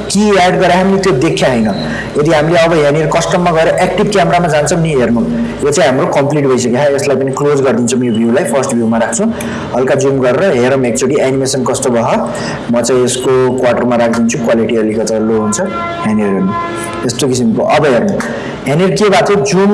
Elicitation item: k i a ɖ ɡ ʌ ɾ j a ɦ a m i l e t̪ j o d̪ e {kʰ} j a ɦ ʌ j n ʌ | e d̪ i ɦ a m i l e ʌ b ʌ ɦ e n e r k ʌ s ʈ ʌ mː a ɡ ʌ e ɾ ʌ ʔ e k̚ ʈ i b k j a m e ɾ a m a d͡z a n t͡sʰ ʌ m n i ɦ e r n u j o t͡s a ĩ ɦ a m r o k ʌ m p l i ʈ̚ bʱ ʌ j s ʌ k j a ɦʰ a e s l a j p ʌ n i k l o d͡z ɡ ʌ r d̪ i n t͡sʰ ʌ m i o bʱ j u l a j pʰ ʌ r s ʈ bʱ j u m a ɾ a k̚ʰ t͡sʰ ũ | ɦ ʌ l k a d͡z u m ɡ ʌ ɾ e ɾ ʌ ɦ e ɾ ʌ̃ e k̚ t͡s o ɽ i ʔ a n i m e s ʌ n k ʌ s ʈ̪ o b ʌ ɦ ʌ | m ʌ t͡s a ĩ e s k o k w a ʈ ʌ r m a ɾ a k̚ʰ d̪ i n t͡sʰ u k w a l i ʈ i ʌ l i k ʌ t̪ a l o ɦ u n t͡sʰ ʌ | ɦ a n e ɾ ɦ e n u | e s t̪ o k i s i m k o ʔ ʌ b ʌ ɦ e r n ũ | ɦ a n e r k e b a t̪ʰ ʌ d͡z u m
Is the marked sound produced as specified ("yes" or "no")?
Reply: yes